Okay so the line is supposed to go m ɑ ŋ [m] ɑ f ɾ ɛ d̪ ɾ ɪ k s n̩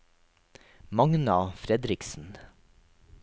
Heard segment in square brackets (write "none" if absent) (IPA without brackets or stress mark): n